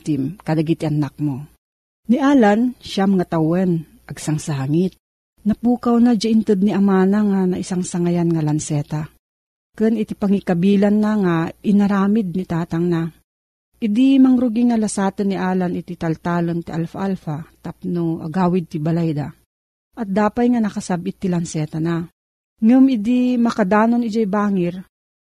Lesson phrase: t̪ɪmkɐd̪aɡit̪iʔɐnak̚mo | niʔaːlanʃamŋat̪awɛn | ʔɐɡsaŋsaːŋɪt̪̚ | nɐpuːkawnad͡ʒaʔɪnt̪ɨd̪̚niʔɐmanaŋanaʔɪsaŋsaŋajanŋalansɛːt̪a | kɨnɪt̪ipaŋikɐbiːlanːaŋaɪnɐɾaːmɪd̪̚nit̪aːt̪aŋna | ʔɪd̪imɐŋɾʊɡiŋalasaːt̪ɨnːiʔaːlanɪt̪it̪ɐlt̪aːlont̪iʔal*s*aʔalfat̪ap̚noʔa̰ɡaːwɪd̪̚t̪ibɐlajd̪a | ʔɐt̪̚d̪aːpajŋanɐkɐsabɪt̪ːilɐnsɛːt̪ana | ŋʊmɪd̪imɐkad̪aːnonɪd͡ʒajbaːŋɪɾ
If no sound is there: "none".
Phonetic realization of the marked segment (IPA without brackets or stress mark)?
f